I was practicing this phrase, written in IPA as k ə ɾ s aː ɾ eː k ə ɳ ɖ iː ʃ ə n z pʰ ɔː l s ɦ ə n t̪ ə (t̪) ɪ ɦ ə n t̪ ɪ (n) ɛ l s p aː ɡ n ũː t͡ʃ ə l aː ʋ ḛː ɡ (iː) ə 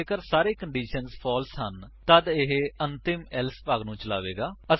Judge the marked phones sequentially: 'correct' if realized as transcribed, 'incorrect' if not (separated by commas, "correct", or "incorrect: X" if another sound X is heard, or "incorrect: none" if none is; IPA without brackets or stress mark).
incorrect: d̪, incorrect: m, incorrect: aː